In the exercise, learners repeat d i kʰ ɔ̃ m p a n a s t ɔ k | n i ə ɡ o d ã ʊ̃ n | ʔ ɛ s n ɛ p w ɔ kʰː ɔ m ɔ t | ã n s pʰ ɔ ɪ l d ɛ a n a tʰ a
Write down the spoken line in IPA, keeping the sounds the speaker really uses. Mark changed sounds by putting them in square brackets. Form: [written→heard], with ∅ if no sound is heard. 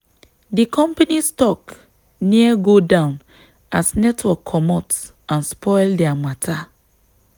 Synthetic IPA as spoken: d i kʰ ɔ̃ m p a n [a→i] s t ɔ k | n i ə ɡ o d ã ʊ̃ n | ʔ [ɛ→a] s n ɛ [p→t] w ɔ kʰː ɔ m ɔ t | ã n s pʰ ɔ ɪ l d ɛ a [n→m] a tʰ a